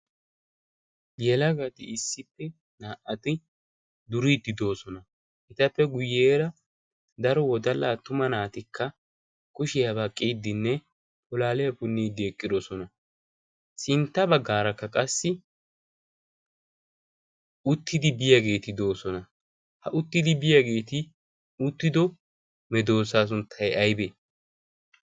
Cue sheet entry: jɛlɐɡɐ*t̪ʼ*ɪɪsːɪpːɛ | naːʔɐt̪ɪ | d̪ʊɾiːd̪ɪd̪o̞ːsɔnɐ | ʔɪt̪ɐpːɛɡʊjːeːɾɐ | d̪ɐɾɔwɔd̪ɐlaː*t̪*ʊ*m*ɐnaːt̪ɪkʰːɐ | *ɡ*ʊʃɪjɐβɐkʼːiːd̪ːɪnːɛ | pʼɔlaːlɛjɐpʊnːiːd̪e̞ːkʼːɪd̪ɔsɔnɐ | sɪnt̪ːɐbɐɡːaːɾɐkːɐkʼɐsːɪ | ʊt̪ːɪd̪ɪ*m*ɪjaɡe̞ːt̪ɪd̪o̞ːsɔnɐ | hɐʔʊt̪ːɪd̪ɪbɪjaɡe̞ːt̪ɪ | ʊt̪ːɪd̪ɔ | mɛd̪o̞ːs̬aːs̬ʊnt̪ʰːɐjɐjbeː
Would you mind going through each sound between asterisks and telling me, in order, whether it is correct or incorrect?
incorrect: t̪, correct, correct, incorrect: k, incorrect: b

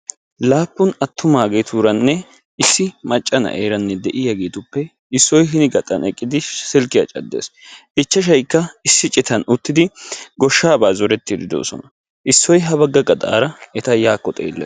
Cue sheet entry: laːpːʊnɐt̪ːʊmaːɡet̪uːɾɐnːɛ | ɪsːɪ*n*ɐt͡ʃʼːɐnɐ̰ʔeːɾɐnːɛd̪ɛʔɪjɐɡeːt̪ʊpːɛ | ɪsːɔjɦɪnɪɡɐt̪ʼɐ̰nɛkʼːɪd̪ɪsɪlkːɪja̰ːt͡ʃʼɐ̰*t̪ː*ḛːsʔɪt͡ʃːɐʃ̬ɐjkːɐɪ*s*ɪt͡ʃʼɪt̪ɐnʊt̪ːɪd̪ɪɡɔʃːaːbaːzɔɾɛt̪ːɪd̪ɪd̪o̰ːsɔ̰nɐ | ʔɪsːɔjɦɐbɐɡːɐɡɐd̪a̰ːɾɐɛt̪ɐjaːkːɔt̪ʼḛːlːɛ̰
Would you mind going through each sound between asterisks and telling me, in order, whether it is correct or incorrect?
incorrect: m, incorrect: d̪ː, incorrect: sː

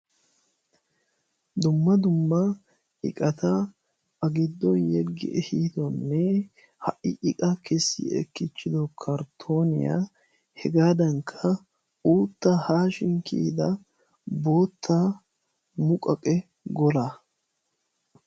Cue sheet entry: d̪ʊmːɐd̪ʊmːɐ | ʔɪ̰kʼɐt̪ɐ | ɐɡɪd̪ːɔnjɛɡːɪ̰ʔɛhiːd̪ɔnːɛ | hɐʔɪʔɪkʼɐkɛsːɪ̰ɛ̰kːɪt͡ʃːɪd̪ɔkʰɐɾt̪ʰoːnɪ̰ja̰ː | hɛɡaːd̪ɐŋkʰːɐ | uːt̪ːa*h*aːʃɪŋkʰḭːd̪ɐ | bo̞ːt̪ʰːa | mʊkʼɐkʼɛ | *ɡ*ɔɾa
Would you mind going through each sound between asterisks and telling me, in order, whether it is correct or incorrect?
correct, correct

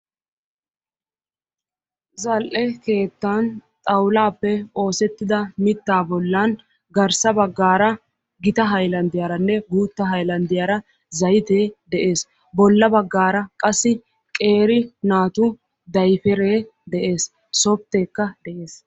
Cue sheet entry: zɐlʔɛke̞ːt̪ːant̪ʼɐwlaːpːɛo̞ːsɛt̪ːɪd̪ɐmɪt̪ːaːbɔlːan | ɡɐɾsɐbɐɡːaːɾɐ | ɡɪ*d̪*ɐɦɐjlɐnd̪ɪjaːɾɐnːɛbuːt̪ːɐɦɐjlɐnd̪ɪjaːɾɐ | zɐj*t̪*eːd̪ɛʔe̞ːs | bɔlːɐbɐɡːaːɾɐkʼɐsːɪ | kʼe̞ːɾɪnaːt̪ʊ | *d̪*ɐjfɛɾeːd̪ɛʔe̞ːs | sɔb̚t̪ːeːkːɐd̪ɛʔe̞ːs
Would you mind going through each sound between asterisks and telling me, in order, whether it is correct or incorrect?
incorrect: t̪, correct, correct

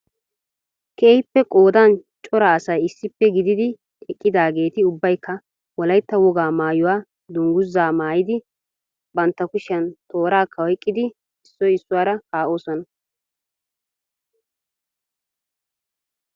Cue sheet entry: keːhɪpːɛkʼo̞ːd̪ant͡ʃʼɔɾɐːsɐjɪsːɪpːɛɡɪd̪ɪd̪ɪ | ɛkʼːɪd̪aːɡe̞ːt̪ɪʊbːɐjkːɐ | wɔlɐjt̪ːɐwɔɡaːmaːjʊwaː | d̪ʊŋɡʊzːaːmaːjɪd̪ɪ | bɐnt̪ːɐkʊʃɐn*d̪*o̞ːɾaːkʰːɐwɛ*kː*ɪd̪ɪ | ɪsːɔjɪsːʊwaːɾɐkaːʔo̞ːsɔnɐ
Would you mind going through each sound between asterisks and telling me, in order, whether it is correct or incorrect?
incorrect: t̪, incorrect: kʼː

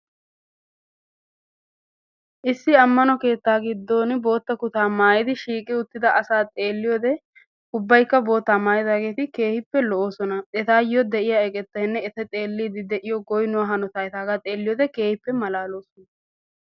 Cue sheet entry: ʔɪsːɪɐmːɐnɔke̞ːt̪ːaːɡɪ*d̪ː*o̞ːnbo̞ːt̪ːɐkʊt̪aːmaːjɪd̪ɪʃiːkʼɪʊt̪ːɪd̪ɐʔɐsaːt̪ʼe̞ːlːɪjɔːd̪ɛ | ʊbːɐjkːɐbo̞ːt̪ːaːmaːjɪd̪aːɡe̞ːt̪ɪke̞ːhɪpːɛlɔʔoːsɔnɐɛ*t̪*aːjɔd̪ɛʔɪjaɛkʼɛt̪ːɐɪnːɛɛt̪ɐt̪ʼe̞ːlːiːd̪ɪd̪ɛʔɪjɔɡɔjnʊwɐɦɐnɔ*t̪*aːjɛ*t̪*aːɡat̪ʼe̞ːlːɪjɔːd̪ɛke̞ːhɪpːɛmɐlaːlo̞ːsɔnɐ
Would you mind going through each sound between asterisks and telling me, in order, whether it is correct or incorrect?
correct, correct, correct, correct

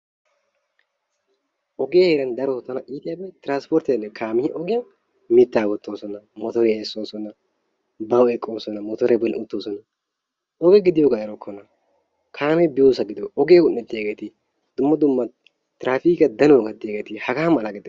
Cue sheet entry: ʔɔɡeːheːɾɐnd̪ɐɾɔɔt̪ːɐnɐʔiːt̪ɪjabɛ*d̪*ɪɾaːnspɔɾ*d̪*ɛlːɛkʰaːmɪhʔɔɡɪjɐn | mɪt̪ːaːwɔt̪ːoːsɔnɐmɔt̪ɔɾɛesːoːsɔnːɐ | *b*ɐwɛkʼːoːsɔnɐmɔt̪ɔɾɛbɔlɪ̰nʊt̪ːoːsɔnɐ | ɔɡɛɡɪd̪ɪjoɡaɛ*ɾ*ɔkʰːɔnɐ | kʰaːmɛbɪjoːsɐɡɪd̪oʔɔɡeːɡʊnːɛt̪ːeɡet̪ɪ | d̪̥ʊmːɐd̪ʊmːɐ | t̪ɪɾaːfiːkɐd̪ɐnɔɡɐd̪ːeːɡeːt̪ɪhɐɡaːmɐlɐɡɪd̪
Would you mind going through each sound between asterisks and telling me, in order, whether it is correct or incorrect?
incorrect: t̪, incorrect: t̪, correct, correct

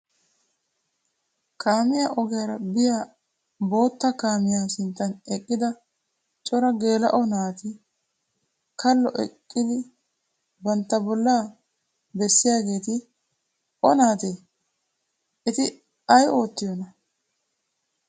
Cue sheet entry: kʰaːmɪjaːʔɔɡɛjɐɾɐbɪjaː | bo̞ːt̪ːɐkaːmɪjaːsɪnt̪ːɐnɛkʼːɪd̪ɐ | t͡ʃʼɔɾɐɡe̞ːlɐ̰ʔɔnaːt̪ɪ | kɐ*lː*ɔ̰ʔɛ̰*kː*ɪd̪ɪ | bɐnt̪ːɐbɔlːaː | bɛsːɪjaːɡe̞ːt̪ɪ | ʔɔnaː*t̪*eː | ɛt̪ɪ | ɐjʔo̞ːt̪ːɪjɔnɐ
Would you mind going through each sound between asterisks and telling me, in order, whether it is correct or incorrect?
correct, incorrect: kʼː, correct

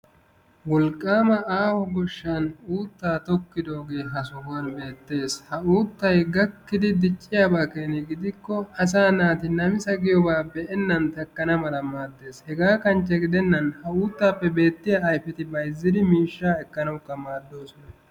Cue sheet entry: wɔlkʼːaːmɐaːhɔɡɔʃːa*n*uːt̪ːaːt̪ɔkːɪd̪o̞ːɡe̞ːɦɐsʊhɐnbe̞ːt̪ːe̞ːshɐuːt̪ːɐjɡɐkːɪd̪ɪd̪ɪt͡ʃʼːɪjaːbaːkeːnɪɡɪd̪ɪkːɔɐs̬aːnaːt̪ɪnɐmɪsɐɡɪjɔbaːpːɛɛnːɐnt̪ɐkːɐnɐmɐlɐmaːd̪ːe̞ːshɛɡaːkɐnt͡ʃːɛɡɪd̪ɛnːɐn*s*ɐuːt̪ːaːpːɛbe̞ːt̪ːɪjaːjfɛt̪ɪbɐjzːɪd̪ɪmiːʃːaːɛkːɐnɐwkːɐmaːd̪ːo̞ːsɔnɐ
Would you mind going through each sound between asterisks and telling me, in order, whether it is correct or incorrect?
correct, incorrect: h

